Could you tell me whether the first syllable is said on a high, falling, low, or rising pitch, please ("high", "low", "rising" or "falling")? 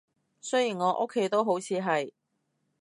high